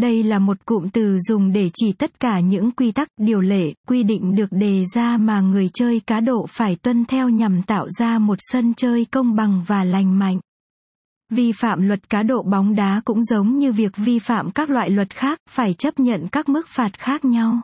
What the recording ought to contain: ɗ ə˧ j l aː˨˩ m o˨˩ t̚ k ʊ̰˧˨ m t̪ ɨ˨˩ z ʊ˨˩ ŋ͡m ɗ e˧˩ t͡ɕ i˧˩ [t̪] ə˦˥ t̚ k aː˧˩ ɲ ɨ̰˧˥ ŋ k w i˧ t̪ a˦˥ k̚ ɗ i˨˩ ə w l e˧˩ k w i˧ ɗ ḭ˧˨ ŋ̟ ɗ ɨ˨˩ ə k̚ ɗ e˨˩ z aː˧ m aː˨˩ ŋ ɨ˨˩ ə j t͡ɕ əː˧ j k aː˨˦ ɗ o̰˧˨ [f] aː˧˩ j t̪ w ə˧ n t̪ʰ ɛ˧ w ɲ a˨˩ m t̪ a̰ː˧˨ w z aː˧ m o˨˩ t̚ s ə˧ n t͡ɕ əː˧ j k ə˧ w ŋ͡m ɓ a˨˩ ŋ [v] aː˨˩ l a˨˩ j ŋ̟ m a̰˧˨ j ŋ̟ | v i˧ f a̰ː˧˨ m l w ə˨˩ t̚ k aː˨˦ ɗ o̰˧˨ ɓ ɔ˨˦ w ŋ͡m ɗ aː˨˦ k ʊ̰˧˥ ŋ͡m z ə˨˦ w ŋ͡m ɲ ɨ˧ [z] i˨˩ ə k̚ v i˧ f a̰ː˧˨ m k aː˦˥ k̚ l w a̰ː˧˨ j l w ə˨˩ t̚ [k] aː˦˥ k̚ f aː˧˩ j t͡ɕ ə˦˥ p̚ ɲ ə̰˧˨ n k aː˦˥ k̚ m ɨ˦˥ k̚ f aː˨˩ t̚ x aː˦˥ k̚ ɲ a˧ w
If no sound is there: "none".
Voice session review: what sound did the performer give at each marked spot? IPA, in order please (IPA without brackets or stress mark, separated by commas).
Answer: t̪, f, v, v, x